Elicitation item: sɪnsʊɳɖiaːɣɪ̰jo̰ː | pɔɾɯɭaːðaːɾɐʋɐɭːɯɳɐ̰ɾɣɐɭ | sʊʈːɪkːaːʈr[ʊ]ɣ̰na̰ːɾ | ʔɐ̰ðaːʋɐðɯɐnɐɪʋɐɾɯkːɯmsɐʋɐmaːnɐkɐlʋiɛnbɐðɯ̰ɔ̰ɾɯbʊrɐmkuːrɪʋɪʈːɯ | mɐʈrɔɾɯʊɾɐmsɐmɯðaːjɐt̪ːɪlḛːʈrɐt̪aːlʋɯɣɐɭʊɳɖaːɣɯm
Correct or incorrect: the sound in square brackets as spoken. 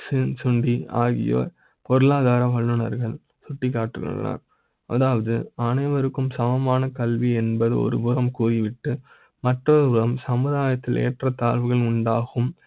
incorrect: ɯ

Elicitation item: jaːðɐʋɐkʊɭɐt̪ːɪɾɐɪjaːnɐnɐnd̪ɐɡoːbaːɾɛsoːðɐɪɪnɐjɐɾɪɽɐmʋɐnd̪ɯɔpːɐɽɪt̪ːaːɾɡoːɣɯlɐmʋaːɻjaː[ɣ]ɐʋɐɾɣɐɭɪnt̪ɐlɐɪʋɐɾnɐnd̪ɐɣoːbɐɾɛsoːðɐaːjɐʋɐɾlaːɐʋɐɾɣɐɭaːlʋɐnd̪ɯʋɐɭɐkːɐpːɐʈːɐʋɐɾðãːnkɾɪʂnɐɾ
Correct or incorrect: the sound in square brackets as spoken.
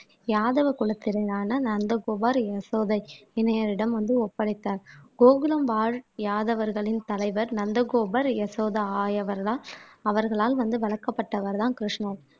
incorrect: ð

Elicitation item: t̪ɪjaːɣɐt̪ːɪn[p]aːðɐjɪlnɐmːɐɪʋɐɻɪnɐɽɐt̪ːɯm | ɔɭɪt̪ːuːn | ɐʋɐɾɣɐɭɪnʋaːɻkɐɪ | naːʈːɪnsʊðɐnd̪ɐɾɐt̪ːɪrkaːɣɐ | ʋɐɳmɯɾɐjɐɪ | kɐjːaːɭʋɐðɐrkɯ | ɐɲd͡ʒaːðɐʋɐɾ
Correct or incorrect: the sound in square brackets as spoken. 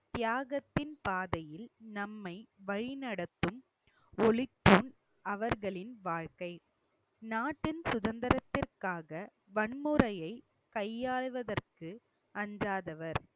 correct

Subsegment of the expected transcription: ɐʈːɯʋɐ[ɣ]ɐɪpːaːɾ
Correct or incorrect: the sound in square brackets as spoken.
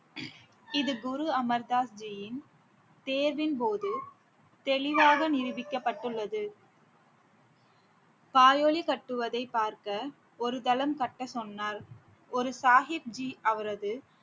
incorrect: ð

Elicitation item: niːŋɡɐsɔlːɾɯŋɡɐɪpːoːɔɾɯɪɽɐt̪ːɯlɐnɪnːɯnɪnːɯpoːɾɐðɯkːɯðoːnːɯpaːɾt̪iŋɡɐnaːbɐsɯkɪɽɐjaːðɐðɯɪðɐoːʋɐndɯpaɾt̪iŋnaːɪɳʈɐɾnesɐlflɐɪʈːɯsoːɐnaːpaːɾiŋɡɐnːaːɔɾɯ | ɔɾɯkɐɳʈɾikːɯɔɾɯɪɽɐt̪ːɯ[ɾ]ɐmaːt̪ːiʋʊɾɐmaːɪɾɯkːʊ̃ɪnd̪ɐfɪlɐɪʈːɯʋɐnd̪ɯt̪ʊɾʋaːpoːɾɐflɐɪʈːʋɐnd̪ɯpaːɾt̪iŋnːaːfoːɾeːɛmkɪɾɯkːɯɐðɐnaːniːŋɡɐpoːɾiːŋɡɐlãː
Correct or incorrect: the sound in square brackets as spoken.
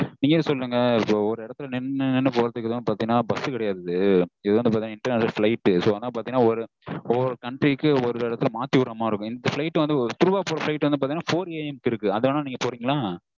incorrect: l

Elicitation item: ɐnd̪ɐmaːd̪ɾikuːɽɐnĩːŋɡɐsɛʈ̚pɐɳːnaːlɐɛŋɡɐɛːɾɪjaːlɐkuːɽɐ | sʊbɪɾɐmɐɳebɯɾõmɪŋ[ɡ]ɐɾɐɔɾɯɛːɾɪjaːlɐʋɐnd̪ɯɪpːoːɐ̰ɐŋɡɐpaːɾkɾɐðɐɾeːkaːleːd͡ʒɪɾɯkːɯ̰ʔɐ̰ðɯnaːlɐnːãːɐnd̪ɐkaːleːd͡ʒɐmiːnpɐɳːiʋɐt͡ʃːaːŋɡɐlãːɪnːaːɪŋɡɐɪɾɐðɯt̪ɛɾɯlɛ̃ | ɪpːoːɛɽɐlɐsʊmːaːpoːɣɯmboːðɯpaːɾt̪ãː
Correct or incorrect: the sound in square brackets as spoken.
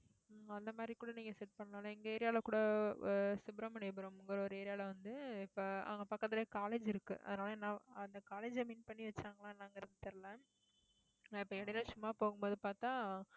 correct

